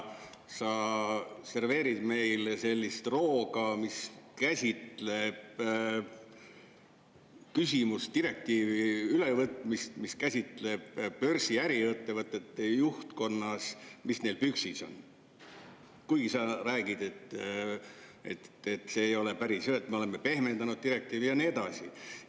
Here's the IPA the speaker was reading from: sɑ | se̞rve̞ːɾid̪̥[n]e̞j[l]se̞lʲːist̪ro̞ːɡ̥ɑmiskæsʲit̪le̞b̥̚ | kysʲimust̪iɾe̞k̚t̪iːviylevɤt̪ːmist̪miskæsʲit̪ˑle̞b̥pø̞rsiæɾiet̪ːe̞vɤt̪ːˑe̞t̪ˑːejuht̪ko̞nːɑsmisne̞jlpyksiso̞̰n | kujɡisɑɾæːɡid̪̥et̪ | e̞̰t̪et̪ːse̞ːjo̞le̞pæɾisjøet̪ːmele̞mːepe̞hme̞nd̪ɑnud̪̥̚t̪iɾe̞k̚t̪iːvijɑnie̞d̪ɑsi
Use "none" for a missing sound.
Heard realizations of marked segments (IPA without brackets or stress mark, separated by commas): m, l